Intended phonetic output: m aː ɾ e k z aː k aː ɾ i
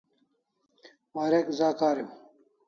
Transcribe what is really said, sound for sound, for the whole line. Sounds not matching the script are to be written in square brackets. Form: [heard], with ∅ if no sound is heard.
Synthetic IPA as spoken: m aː ɾ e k z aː k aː ɾ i